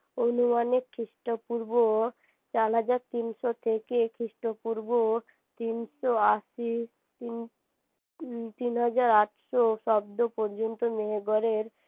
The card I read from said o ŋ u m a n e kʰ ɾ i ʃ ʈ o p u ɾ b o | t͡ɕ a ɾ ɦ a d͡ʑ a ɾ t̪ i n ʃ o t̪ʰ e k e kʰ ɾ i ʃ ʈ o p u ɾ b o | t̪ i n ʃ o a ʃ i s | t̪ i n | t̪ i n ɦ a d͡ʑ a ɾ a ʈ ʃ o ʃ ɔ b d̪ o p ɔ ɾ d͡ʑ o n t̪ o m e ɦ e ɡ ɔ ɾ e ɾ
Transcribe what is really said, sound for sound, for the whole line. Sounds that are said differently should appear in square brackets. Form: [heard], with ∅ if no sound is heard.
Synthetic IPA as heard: o [n] u m a n e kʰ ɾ i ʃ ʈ o p u ɾ b o | t͡ɕ a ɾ ɦ a d͡ʑ a ɾ t̪ i n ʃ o t̪ʰ e k e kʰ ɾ i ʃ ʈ o p u ɾ b o | t̪ i n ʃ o a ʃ i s | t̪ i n | t̪ i n ɦ a d͡ʑ a ɾ a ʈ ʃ o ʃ ɔ b d̪ o p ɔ ɾ d͡ʑ o n t̪ o m e ɦ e ɡ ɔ ɾ e ɾ

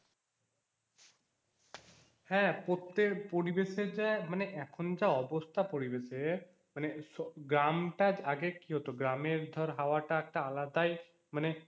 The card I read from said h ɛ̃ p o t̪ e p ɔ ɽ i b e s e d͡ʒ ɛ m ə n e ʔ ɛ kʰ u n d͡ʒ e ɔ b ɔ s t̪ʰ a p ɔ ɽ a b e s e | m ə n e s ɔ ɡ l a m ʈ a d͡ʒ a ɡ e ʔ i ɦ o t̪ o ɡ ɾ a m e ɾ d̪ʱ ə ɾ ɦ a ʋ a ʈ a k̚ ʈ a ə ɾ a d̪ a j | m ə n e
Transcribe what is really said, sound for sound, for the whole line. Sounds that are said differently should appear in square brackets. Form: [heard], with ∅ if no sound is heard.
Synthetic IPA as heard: h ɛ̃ p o t̪ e p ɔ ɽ i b e s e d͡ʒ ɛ m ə n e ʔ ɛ kʰ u n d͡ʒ [a] ɔ b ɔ s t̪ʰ a p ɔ ɽ [i] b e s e | m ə n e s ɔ ɡ [ɾ] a m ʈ a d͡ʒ a ɡ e [k] i ɦ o t̪ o ɡ ɾ a m e ɾ d̪ʱ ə ɾ ɦ a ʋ a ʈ a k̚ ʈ a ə [l] a d̪ a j | m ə n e

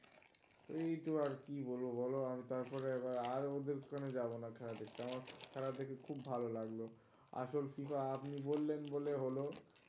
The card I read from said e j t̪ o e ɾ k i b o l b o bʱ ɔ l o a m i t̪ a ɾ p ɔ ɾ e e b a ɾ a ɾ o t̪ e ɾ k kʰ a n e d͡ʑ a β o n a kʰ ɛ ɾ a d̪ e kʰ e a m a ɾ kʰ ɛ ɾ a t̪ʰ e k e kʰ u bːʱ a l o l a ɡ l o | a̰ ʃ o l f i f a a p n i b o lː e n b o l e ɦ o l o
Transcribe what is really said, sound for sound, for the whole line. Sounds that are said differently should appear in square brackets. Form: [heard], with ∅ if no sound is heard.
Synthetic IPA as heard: e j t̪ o [a] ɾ k i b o l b o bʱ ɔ l o a m i t̪ a ɾ p ɔ ɾ e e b a ɾ a ɾ o [d̪] e ɾ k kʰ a n e d͡ʑ a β o n a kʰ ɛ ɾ a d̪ e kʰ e a m a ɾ kʰ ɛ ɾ a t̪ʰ e k e kʰ u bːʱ a l o l a ɡ l o | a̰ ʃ o l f i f a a p n i b o lː e n b o l e ɦ o l o

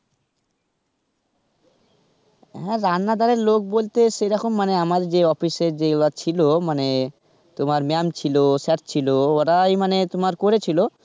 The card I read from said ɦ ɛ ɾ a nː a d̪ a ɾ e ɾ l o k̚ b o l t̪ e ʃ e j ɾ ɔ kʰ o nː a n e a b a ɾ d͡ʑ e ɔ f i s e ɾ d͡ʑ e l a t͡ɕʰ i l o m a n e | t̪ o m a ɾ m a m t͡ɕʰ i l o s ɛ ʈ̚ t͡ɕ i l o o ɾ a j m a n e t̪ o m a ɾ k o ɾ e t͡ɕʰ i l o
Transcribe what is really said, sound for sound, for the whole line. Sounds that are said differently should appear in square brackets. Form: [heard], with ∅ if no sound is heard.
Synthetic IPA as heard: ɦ ɛ ɾ a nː a d̪ a ɾ e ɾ l o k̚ b o l t̪ e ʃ e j ɾ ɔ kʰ o [mː] a n e a [m] a ɾ d͡ʑ e ɔ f i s e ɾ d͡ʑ e l a t͡ɕʰ i l o m a n e | t̪ o m a ɾ m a m t͡ɕʰ i l o s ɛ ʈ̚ [t͡ɕʰ] i l o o ɾ a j m a n e t̪ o m a ɾ k o ɾ e t͡ɕʰ i l o

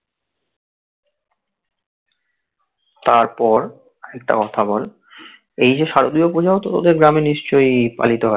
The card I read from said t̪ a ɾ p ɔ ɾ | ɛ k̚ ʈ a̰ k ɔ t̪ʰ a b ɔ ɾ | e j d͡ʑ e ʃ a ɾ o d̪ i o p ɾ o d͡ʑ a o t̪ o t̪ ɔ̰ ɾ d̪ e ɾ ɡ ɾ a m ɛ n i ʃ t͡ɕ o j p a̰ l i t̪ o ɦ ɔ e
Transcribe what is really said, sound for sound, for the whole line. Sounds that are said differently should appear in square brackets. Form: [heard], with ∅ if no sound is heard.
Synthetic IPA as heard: t̪ a ɾ p ɔ ɾ | ɛ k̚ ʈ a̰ k ɔ t̪ʰ a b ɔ [l] | e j d͡ʑ e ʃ a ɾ o d̪ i o p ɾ o d͡ʑ a o t̪ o t̪ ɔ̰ [∅] d̪ e ɾ ɡ ɾ a m [e] n i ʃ t͡ɕ o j p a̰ l i t̪ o ɦ ɔ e

